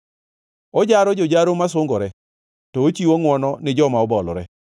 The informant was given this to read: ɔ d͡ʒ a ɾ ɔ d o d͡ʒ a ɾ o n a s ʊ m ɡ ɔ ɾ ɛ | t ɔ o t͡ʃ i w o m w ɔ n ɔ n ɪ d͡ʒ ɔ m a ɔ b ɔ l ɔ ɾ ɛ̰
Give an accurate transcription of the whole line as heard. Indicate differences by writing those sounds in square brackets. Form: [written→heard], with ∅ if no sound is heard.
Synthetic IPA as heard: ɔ d͡ʒ a ɾ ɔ [d→d͡ʒ] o d͡ʒ a ɾ o [n→m] a s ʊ [m→ŋ] ɡ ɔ ɾ ɛ | t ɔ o t͡ʃ i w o [m→ŋ] w ɔ n ɔ n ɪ d͡ʒ ɔ m a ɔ b ɔ l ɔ ɾ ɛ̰